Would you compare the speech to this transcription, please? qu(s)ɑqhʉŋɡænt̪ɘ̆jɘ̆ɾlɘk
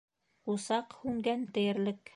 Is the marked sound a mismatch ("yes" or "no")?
no